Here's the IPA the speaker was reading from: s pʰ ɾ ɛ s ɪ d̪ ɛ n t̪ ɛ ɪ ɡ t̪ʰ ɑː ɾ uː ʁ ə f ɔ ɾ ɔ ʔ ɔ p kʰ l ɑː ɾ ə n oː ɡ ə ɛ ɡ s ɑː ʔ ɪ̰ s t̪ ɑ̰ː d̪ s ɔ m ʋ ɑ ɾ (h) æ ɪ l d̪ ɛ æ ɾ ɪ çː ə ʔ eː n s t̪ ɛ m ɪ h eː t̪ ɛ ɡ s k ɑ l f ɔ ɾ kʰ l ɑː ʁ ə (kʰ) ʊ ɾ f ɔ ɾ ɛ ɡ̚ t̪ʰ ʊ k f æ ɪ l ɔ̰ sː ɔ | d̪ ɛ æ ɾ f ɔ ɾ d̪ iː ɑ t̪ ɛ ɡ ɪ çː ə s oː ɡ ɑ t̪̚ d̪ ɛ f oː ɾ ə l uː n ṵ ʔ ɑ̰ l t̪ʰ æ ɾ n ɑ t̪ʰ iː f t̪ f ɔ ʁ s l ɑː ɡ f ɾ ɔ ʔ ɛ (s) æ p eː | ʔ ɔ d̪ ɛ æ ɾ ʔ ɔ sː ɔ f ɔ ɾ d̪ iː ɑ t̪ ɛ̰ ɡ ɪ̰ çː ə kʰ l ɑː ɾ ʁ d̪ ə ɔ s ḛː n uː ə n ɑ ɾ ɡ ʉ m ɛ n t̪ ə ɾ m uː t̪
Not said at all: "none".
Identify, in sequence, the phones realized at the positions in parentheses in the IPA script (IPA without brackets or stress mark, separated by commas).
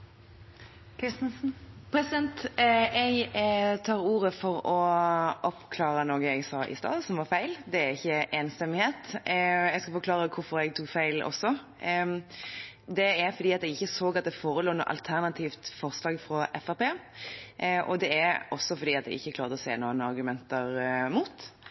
f, kʰ, f